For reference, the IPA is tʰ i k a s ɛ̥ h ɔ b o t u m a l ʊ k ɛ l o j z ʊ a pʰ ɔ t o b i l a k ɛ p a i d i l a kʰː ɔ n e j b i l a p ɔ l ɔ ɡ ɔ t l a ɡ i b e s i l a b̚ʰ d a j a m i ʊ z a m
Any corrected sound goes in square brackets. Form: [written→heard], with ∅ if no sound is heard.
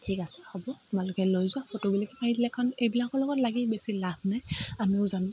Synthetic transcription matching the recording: tʰ i k a s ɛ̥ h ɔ b [o→ɔ] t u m a l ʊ k ɛ l o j z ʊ a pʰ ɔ t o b i l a k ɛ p a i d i l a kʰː ɔ n e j b i l a [p→k] ɔ l ɔ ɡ ɔ t l a ɡ i b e s i l a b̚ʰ [d→n] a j a m i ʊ z a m